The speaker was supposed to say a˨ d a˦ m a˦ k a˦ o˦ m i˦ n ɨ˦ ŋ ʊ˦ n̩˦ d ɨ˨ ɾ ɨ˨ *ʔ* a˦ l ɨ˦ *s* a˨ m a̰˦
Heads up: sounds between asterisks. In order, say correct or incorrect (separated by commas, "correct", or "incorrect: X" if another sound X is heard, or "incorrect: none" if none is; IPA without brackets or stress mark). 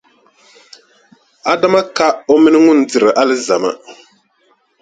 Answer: correct, incorrect: z